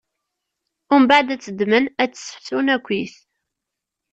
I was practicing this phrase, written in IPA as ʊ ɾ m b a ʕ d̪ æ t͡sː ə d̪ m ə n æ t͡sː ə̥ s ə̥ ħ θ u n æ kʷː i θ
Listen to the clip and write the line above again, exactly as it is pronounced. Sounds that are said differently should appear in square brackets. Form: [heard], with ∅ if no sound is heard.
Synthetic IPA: ʊ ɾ m b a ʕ d̪ æ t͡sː ə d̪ m ə n æ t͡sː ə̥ s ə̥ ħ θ u n æ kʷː i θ